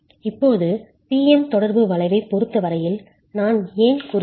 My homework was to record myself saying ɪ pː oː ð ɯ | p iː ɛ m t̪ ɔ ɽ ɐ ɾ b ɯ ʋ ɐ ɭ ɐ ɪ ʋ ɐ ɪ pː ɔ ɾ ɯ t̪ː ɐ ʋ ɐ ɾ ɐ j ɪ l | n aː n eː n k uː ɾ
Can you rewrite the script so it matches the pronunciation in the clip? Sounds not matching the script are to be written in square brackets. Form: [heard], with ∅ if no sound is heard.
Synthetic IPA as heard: ɪ pː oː ð ɯ | p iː ɛ m t̪ ɔ ɽ ɐ ɾ b ɯ ʋ ɐ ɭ ɐ ɪ ʋ ɐ ɪ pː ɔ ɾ ɯ t̪ː ɐ ʋ ɐ ɾ ɐ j ɪ l | n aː n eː n k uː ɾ